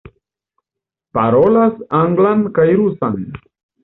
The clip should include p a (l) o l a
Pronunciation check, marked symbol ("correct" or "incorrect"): incorrect